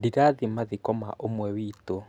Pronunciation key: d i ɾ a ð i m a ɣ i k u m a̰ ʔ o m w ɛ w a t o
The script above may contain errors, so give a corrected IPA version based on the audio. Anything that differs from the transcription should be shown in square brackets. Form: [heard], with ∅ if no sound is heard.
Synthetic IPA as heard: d i ɾ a ð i m a [ð] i k [ɔ] m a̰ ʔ o m w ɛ w [i] t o

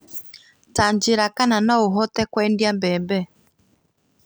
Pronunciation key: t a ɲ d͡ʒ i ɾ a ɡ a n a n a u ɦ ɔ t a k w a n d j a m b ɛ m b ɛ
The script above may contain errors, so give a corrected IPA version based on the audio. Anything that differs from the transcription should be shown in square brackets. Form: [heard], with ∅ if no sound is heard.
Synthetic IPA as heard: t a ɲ d͡ʒ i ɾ a [k] a n a n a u ɦ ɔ t [ɛ] k w [ɛ] n d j a m b ɛ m b ɛ

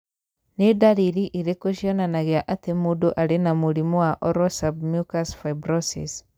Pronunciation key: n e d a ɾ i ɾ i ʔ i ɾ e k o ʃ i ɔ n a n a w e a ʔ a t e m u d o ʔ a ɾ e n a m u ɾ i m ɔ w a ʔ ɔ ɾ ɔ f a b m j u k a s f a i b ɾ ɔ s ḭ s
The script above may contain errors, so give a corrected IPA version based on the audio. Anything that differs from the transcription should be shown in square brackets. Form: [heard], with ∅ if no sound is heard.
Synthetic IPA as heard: n e d a ɾ i ɾ i ʔ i ɾ e k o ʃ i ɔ n a n a [ɣ] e a ʔ a t e m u d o ʔ a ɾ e n a m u ɾ i m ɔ w a ʔ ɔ ɾ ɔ [s] a b m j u k a s f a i b ɾ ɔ s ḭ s

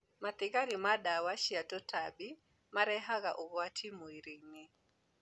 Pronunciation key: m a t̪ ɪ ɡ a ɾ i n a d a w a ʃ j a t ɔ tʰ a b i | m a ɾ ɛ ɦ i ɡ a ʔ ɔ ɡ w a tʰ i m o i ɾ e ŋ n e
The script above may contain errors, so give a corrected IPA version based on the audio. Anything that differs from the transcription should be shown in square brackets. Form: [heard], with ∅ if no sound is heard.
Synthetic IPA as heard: m a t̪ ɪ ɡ a ɾ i [m] a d a w a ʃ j a t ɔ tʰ a b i | m a ɾ ɛ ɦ [a] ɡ a ʔ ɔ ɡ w a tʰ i m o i ɾ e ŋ n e

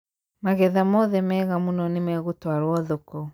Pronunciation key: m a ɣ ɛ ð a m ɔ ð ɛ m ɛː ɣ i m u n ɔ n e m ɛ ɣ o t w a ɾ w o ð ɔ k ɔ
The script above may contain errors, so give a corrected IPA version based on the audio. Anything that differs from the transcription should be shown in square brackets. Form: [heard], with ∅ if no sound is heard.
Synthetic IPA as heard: m a ɣ ɛ ð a m ɔ ð ɛ m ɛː ɣ [a] m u n ɔ n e m ɛ ɣ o t w a ɾ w [ɔ] ð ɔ k ɔ

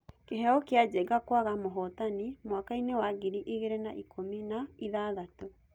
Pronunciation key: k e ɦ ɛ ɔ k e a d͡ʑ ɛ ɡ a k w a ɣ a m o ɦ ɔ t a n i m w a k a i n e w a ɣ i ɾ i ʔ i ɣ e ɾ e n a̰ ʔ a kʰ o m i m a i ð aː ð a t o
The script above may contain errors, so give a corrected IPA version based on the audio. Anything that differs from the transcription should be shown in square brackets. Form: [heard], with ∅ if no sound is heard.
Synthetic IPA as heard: k e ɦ ɛ ɔ k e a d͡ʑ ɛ ɡ a k w a ɣ a m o ɦ ɔ t a n i m w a k a i n e w a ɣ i ɾ i ʔ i ɣ e ɾ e n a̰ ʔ [i] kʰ o m i [n] a i ð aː ð a t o

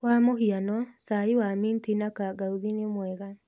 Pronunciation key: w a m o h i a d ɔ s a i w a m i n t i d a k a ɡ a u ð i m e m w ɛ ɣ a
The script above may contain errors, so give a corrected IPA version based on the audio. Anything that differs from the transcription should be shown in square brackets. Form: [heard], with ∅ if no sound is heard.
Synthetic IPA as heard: w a m o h i a [n] ɔ s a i w a m i n t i [n] a k a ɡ a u ð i [n] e m w ɛ ɣ a

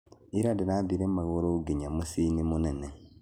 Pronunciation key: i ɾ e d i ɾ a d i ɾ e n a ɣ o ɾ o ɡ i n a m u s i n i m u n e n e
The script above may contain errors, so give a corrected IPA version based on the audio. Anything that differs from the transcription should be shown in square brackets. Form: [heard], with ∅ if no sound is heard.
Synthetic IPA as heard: i ɾ [a] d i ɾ a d i ɾ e [m] a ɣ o ɾ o ɡ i [ɲ] a m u s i n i m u n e n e

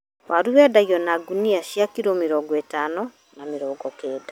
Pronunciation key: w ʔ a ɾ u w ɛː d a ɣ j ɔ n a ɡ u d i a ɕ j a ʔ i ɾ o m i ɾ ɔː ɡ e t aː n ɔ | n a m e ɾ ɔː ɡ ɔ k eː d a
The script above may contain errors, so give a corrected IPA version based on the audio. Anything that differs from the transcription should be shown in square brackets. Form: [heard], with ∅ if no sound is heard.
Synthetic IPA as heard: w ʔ a ɾ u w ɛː d a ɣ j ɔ n a ɡ u [n] i a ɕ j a [k] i ɾ o m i ɾ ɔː ɡ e t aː n ɔ | n a m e ɾ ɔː ɡ ɔ k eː d a

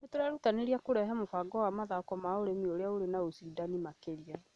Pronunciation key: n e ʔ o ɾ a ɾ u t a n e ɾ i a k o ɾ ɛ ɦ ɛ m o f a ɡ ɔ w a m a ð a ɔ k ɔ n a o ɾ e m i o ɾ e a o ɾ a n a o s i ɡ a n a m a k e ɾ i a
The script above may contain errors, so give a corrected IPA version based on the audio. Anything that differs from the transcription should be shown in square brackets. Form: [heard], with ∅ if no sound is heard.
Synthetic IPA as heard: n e [t] o ɾ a ɾ u t a n e ɾ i a k o ɾ ɛ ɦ ɛ m o f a ɡ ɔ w a m a ð a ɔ k ɔ [m] a o ɾ e m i o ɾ e a o ɾ [e] n a o s i [d] a n [i] m a k e ɾ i a

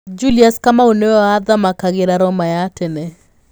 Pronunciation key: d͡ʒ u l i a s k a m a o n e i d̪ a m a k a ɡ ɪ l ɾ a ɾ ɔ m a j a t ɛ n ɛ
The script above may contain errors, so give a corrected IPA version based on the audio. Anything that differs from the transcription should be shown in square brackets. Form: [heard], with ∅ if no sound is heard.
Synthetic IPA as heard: d͡ʒ u l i a s k a m a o n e [a] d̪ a m a k a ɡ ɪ [∅] ɾ a ɾ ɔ m a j a t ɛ n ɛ

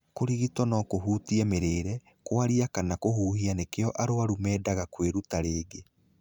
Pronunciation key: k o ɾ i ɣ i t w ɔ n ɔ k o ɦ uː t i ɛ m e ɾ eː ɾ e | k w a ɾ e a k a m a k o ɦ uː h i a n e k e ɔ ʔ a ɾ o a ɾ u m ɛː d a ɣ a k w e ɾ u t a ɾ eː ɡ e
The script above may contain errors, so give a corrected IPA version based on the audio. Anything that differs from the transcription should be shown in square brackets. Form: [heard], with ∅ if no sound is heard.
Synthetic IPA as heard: k o ɾ i ɣ i t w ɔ n ɔ k o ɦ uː t i ɛ m e ɾ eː ɾ [ɛ] | k w a ɾ [i] a k a [n] a k o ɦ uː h i a n e k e ɔ ʔ a ɾ o a ɾ u m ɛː d a ɣ a k w e ɾ u t a ɾ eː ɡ e

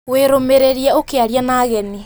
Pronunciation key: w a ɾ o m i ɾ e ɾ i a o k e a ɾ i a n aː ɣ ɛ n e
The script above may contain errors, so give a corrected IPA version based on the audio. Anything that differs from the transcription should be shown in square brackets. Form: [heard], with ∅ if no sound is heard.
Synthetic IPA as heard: w [e] ɾ o m [e] ɾ e ɾ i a o k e a ɾ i a n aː ɣ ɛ n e

